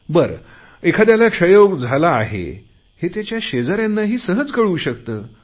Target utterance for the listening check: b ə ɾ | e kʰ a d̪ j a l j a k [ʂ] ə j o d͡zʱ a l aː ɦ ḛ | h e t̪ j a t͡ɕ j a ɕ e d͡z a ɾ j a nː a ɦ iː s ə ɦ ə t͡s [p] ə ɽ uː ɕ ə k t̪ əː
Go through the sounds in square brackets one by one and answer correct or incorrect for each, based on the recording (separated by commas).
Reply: correct, incorrect